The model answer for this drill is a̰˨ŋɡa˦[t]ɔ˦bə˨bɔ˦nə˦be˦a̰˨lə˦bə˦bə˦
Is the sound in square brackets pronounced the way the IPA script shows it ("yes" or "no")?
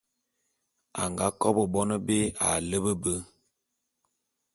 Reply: no